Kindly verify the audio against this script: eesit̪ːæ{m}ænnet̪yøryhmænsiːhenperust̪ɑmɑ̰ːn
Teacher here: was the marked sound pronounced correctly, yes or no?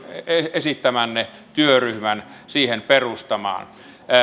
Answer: yes